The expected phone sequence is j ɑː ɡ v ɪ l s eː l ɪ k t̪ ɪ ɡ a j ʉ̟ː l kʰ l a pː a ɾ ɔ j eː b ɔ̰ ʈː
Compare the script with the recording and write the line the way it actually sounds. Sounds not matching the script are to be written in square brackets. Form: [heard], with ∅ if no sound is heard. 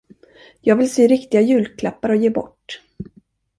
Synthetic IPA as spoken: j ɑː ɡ v ɪ l s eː [ɾ] ɪ k t̪ ɪ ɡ a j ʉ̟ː l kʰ l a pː a ɾ ɔ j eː b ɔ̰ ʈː